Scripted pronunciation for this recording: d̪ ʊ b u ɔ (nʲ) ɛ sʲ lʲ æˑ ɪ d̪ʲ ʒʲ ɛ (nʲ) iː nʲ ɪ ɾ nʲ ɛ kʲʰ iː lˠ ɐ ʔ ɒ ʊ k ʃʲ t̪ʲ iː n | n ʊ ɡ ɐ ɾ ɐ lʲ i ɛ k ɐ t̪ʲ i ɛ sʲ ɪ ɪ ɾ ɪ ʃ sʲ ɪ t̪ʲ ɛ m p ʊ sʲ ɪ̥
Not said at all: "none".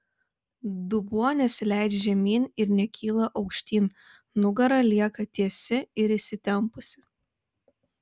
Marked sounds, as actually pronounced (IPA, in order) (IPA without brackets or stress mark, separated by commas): nʲ, mʲ